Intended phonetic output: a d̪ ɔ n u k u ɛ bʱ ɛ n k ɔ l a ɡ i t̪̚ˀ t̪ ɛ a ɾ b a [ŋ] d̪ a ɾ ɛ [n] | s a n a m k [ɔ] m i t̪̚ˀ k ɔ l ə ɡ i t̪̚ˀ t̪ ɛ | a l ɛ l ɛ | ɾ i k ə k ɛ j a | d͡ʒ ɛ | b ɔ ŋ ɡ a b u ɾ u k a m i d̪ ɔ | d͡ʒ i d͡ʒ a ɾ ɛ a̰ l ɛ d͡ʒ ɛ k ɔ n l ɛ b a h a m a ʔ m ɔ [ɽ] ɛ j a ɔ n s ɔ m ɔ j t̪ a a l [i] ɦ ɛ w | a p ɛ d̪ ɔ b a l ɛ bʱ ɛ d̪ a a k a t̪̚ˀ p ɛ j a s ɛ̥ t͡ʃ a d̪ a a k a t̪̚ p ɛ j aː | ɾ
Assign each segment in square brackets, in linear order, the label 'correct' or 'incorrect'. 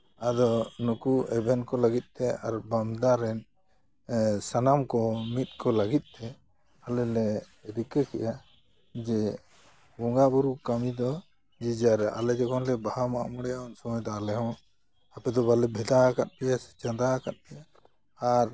incorrect: m, correct, correct, correct, incorrect: ɛ

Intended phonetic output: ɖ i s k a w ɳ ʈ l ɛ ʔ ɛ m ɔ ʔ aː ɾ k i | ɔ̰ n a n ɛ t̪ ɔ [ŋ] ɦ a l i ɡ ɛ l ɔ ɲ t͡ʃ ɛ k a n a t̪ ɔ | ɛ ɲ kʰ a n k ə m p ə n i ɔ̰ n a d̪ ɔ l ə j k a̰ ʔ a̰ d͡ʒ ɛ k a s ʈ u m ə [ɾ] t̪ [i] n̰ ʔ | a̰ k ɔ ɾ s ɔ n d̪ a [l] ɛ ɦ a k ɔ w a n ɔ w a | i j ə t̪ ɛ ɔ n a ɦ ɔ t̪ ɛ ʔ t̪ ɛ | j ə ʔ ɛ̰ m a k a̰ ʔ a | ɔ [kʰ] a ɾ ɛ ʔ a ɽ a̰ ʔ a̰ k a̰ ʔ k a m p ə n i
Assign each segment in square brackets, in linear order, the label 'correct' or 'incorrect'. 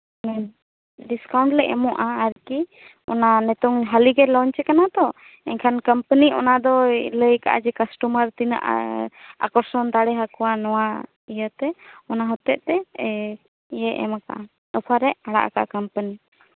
correct, correct, correct, incorrect: ɽ, incorrect: pʰ

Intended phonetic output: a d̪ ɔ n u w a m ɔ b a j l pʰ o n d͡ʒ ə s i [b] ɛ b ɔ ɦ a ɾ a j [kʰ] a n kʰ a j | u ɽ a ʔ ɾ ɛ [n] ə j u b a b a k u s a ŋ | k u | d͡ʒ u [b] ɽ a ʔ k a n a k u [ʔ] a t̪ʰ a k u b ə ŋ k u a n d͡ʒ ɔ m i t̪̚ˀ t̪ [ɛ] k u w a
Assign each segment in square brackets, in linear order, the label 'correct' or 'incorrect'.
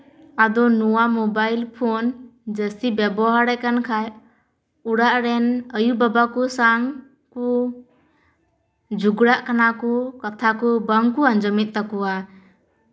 correct, incorrect: k, correct, incorrect: ɡ, incorrect: k, incorrect: a

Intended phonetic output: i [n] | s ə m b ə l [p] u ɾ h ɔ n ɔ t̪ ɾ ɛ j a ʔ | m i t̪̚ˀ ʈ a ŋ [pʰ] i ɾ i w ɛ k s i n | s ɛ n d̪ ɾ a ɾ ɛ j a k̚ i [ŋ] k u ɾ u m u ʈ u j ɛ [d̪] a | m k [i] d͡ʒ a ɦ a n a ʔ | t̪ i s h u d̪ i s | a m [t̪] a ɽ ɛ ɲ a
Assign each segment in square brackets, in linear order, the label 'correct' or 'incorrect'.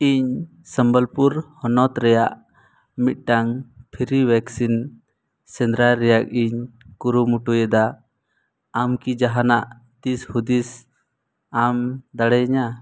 incorrect: ɲ, correct, correct, incorrect: ɲ, correct, correct, incorrect: d̪

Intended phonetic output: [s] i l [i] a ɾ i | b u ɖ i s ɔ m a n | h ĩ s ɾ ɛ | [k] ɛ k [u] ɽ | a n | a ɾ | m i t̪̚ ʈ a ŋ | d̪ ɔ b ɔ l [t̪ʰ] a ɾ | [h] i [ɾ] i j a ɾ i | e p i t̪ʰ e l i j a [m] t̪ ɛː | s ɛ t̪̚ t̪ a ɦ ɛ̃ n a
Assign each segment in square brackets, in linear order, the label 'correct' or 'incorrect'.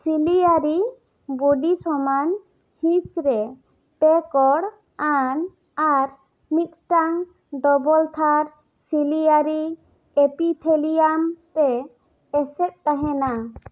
correct, correct, incorrect: p, incorrect: ɔ, correct, incorrect: s, incorrect: l, correct

